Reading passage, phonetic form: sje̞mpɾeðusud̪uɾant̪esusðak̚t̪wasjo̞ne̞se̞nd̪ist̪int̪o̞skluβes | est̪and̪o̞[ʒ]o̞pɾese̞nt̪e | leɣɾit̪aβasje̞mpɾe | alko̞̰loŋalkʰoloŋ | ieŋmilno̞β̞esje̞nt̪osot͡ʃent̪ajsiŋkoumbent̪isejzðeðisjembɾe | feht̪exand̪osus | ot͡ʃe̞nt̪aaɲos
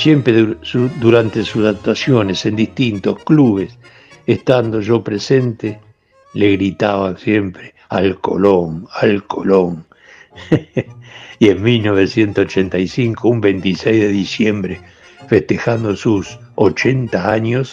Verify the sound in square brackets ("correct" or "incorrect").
correct